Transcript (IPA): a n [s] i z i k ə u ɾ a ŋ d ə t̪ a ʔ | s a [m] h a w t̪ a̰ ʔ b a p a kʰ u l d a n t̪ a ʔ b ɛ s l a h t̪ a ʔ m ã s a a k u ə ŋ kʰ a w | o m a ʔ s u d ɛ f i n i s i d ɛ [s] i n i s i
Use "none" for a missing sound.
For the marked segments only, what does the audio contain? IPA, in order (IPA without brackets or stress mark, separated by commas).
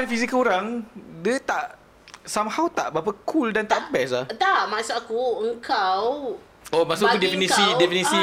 f, m, f